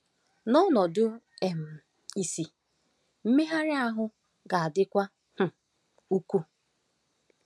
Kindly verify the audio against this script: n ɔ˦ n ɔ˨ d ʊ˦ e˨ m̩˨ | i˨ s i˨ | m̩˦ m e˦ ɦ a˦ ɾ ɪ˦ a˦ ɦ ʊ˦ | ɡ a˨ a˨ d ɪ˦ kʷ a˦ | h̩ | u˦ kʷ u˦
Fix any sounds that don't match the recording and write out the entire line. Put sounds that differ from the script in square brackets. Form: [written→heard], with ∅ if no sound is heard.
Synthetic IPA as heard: n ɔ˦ n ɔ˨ d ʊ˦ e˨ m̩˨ | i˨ s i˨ | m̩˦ m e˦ ɦ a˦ ɾ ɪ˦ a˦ ɦ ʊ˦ | ɡ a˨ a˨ d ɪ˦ kʷ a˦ | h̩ | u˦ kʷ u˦